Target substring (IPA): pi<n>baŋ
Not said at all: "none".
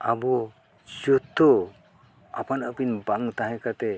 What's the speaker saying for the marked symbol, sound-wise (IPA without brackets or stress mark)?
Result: n